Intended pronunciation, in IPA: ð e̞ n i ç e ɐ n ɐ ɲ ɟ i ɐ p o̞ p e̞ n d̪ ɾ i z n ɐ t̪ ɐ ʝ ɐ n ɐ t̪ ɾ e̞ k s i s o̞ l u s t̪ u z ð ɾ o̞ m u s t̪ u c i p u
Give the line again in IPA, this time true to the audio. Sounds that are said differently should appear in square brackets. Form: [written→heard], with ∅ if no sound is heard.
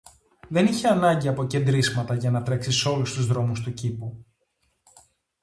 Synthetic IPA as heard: ð e̞ n i ç e ɐ n ɐ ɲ ɟ i ɐ p o̞ [p→c] e̞ n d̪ ɾ i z [n→m] ɐ t̪ ɐ ʝ ɐ n ɐ t̪ ɾ e̞ k s i s o̞ l u s t̪ u z ð ɾ o̞ m u s t̪ u c i p u

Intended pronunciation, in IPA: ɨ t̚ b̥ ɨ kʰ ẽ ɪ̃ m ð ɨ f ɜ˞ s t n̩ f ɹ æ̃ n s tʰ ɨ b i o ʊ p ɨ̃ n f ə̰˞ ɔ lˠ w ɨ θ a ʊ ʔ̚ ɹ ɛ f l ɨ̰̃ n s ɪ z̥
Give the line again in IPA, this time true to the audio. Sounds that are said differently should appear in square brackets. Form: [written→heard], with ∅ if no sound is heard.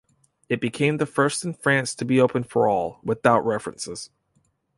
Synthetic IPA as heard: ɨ t̚ b̥ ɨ kʰ ẽ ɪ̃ m ð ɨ f ɜ˞ s t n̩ f ɹ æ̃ n s tʰ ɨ b i o ʊ p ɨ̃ n f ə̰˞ ɔ lˠ w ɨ θ a ʊ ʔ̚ ɹ ɛ f [l→ɹ] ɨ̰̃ n s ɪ z̥

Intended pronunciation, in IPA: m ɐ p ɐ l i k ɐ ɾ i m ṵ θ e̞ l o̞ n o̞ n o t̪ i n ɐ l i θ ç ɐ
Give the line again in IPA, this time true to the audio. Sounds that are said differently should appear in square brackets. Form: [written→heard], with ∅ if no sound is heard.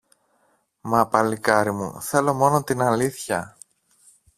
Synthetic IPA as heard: m ɐ p ɐ l i k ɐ ɾ i m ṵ θ e̞ l o̞ [n→m] o̞ n o t̪ i n ɐ l i θ ç ɐ

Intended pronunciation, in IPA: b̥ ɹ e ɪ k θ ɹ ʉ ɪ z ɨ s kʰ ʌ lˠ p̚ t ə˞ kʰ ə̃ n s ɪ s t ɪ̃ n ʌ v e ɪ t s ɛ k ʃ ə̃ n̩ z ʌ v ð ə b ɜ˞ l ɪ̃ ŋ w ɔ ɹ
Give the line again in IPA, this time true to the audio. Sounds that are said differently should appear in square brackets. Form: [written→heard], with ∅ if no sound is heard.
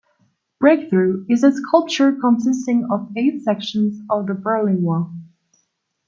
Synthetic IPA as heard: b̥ ɹ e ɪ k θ ɹ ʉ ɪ z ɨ s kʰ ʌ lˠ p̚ [t→t͡ʃ] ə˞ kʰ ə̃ n s ɪ s t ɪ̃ [n→ŋ] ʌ v e ɪ t s ɛ k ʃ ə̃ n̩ z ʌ v ð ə b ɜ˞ l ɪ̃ ŋ w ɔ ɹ

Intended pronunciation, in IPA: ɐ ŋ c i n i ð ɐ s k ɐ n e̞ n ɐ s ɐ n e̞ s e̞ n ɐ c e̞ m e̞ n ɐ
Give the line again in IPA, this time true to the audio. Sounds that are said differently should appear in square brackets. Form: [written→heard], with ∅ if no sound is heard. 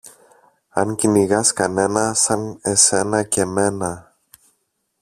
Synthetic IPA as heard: ɐ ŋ c i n i [ð→ɣ] ɐ s k ɐ n e̞ n ɐ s ɐ n e̞ s e̞ n ɐ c e̞ m e̞ n ɐ

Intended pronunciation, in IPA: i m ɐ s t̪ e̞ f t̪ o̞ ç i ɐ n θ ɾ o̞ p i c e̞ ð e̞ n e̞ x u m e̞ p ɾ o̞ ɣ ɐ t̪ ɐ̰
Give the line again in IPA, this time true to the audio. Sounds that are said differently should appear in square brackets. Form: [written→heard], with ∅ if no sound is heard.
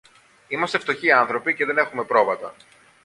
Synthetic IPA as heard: i m ɐ s t̪ e̞ f t̪ o̞ ç i ɐ n θ ɾ o̞ p i c e̞ ð e̞ n e̞ x u m e̞ p ɾ o̞ [ɣ→v] ɐ t̪ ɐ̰

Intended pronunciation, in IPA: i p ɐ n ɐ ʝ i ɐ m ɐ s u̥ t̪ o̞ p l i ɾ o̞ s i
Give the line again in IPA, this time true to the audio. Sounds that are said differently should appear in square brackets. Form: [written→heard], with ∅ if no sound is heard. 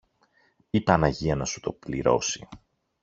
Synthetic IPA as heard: i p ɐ n ɐ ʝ i ɐ [m→n] ɐ s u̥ t̪ o̞ p l i ɾ o̞ s i

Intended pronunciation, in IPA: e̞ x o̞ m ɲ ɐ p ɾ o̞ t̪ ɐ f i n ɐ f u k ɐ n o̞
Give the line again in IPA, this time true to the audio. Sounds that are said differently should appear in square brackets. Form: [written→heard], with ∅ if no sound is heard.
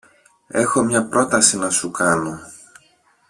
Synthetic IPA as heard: e̞ x o̞ m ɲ ɐ p ɾ o̞ t̪ ɐ [f→s] i n ɐ [f→s] u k ɐ n o̞

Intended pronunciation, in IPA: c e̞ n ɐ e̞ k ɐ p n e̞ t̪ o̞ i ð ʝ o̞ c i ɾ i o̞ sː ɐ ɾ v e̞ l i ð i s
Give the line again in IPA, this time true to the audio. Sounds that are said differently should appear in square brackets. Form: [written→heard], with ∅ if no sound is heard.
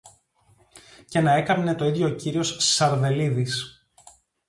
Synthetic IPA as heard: c e̞ n ɐ e̞ k ɐ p n e̞ t̪ o̞ i ð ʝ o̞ c i ɾ i o̞ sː ɐ ɾ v e̞ l i ð i s

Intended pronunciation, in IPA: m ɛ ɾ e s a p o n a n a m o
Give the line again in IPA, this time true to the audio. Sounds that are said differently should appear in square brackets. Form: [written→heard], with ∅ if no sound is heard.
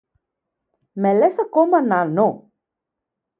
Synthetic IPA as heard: m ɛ [ɾ→l] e s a [p→k] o [n→m] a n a [m→n] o

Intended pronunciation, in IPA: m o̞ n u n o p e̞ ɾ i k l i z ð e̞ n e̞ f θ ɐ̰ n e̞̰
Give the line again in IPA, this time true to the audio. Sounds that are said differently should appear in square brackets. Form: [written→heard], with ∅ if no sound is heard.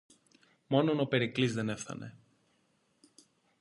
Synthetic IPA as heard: m o̞ n [u→o] n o p e̞ ɾ i k l i z ð e̞ n e̞ f θ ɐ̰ n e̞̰

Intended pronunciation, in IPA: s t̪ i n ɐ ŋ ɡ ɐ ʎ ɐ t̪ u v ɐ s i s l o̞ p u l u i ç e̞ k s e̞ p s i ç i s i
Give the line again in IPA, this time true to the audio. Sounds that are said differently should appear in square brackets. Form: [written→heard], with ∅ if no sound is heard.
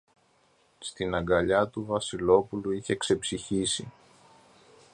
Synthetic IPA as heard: s t̪ i n ɐ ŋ ɡ ɐ ʎ ɐ t̪ u v ɐ s i [s→∅] l o̞ p u l u i ç e̞ k s e̞ p s i ç i s i

